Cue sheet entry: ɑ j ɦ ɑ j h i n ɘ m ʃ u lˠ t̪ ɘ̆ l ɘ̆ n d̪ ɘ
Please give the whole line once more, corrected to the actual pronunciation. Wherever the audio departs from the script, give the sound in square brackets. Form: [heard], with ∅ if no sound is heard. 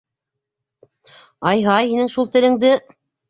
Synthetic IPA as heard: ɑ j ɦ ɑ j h i n ɘ [ŋ] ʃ u lˠ t̪ ɘ̆ l ɘ̆ [ŋ] d̪ ɘ